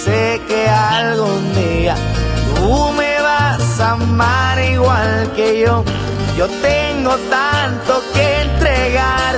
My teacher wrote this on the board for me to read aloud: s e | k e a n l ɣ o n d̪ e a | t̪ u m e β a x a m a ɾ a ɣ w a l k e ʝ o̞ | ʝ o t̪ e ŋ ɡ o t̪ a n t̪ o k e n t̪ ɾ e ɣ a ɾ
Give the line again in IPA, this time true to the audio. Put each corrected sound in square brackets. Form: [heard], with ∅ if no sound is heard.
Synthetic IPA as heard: s e | k e a [∅] l ɣ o n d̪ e a | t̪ u m e β a [s] a m a ɾ [i] ɣ w a l k e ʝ o̞ | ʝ o t̪ e ŋ ɡ o t̪ a n t̪ o k e n t̪ ɾ e ɣ a ɾ